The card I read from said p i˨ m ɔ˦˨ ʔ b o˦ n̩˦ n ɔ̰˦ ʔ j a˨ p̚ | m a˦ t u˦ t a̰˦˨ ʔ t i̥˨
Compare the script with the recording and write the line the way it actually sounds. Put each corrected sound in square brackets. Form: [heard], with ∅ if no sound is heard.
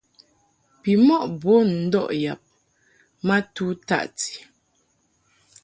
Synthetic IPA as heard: p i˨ m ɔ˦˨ ʔ b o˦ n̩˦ [d] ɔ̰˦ ʔ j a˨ p̚ | m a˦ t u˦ t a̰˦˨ ʔ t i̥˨